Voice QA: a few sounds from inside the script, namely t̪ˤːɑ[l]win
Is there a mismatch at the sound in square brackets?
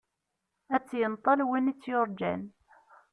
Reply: no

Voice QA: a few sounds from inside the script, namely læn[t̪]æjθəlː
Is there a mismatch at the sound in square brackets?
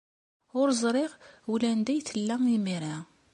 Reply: yes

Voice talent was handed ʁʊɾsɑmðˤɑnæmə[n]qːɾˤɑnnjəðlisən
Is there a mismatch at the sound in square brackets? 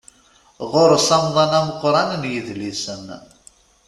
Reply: yes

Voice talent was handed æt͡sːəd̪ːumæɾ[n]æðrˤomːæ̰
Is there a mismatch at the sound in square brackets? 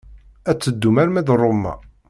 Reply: yes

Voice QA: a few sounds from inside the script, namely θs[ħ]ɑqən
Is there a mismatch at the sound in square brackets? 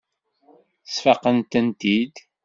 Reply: yes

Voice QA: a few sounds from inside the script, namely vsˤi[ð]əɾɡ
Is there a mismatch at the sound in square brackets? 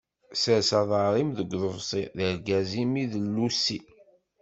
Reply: no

